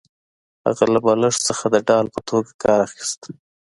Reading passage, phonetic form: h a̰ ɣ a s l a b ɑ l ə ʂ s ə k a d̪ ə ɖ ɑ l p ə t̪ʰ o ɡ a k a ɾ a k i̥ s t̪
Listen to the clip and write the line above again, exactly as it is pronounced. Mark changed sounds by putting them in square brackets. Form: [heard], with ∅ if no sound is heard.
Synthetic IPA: h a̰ ɣ a [∅] l a b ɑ l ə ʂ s ə [x] a d̪ ə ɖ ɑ l p ə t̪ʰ o ɡ a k [ɑ] ɾ a [x] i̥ s t̪